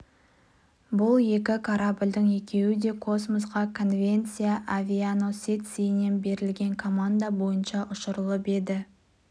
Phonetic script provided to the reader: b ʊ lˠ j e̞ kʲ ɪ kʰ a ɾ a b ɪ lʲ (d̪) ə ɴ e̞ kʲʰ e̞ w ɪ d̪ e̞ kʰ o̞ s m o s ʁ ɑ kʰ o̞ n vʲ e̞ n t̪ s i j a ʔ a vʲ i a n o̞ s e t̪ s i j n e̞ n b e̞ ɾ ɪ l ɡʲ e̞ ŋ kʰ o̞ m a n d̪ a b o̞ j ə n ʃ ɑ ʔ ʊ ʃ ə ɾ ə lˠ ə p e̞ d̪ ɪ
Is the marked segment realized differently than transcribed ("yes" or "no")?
no